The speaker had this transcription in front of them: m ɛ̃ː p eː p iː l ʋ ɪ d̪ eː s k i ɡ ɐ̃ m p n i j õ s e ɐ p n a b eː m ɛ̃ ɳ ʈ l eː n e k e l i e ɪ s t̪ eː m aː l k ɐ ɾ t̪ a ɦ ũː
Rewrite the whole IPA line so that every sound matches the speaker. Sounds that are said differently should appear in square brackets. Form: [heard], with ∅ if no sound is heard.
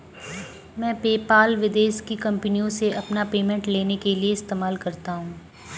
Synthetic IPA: m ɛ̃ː p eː p [aː] l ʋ ɪ d̪ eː [ʃ] k i [k] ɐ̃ m p n i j õ s e ɐ p n a [p] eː m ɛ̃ ɳ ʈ l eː n e k e l i e ɪ s t̪ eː m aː l k ɐ ɾ t̪ a ɦ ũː